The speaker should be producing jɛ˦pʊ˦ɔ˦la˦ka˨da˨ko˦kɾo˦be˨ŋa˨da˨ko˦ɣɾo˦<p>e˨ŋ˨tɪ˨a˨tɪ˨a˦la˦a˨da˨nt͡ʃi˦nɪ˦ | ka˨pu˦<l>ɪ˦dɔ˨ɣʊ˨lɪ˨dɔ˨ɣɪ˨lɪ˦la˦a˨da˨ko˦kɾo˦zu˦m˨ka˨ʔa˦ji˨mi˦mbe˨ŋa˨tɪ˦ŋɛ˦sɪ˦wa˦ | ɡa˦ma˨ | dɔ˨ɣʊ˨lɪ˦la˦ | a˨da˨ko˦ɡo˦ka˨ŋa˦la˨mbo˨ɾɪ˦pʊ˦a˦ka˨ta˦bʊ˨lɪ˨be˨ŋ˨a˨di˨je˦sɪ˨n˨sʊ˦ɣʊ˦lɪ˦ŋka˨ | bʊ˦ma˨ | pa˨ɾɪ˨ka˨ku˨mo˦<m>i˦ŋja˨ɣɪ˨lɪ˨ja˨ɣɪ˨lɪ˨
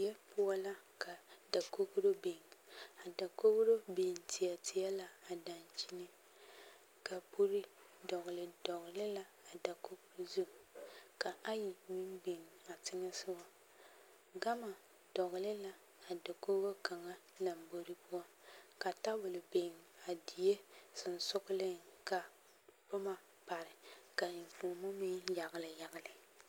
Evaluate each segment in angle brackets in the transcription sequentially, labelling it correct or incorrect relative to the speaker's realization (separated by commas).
incorrect, incorrect, correct